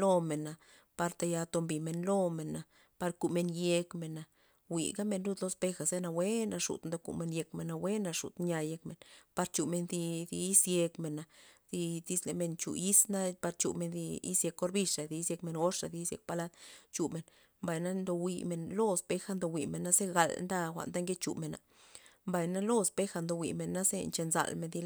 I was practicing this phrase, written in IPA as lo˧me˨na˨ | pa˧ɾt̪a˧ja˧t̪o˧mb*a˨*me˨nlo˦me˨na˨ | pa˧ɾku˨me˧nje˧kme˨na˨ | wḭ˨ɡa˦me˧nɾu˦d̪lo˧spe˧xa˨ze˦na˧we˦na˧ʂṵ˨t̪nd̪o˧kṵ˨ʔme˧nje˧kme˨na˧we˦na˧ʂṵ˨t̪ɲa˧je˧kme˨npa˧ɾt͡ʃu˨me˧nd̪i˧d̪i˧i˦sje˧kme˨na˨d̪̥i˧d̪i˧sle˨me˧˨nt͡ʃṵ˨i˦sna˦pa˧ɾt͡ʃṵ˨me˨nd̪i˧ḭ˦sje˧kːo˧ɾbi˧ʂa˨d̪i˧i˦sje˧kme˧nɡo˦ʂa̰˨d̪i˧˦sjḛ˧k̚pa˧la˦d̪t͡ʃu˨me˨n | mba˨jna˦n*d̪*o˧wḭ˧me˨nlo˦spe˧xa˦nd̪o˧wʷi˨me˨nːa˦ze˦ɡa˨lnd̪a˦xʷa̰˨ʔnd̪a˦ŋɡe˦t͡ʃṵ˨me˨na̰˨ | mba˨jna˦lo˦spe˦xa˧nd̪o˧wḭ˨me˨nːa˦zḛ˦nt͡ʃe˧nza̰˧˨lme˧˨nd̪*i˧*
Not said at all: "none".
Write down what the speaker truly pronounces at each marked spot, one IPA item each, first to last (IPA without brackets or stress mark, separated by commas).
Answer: i˨, d̪, i˧